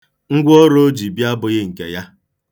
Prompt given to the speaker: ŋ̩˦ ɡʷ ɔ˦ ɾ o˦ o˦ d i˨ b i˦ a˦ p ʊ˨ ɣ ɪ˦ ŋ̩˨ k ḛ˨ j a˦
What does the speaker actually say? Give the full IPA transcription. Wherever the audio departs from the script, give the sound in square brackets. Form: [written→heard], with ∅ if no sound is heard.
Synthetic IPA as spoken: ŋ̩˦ ɡʷ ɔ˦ ɾ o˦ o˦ [d→d͡ʒ] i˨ b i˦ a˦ [p→b] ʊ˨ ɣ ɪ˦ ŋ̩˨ k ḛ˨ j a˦